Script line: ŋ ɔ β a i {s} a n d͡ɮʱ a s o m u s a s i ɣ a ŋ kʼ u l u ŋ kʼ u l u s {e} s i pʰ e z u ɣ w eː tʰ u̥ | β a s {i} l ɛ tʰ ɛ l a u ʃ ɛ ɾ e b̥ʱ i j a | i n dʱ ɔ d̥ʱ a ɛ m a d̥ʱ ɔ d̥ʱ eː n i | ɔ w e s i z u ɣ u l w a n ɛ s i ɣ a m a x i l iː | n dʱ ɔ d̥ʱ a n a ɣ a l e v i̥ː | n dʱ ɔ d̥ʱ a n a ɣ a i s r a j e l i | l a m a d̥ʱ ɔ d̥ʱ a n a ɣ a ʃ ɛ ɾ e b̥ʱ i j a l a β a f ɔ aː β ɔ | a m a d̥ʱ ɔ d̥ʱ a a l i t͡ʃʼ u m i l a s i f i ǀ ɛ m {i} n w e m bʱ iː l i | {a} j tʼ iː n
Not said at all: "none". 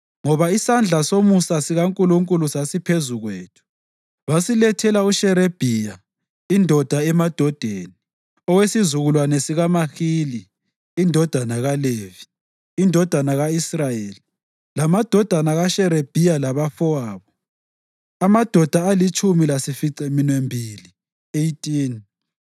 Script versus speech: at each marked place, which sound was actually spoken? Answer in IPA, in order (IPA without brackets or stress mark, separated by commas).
s, a, i, i, e